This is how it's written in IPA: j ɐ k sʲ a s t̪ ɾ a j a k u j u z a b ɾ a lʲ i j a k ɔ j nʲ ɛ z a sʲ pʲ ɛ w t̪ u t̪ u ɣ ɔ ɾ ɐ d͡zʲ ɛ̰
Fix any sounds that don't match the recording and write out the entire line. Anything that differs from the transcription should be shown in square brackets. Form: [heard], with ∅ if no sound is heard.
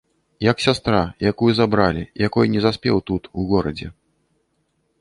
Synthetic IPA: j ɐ k sʲ a s t̪ ɾ a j a k u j u z a b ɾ a lʲ i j a k ɔ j nʲ ɛ z a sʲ pʲ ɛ w t̪ u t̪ u ɣ ɔ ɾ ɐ d͡zʲ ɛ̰